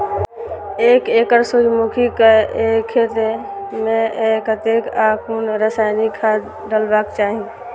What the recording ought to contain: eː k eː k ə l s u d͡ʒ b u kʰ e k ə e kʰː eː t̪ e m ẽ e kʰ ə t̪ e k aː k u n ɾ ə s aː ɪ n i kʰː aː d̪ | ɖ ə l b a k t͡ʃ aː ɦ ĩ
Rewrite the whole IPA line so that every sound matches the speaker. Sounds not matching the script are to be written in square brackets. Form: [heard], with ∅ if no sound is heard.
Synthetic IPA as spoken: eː k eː k ə [ɾ] s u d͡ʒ [m] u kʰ [i] k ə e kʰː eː t̪ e m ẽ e [k] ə t̪ e k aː k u n ɾ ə s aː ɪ n i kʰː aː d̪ | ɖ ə l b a k t͡ʃ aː ɦ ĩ